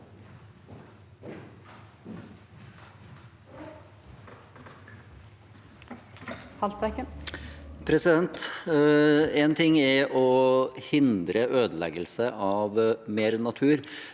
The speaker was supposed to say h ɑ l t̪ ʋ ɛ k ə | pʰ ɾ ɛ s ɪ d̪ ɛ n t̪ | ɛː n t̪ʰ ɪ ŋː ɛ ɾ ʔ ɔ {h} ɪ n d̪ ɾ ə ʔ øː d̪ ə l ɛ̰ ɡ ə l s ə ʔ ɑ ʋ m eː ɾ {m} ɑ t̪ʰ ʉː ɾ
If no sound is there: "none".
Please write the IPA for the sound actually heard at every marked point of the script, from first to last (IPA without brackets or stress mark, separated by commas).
h, n